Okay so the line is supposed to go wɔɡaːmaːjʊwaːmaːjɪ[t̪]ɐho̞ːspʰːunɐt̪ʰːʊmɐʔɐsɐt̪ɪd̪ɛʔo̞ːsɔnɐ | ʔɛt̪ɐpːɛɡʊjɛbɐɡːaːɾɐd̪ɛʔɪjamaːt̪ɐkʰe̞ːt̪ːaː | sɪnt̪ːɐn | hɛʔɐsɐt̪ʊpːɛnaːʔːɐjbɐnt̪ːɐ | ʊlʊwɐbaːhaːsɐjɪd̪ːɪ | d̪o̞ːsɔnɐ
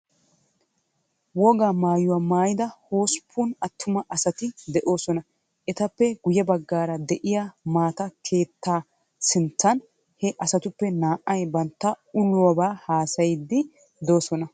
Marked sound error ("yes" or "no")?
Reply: yes